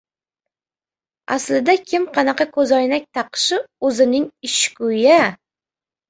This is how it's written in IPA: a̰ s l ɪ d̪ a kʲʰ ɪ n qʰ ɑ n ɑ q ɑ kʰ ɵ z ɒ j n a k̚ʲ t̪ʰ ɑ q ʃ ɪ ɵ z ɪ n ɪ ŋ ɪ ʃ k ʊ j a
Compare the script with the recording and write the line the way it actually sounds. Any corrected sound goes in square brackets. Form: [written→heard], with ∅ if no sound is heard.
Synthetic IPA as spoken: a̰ s l ɪ d̪ a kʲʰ ɪ [n→m] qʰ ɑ n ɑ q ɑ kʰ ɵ z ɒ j n a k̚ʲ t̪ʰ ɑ q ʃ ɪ ɵ z ɪ n ɪ ŋ ɪ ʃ k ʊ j a